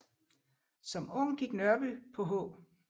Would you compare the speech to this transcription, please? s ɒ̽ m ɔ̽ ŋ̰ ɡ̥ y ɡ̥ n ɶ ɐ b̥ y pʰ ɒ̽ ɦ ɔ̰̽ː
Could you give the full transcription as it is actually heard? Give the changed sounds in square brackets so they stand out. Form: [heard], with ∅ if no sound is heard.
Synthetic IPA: s ɒ̽ m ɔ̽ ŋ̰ ɡ̥ [i] ɡ̥ n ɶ ɐ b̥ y pʰ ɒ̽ ɦ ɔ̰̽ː